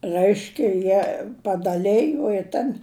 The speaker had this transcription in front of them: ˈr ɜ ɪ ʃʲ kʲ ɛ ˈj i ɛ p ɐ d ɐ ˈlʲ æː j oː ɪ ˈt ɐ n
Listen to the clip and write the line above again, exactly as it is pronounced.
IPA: ˈr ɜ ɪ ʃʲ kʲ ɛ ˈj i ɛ p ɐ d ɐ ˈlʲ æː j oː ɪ ˈt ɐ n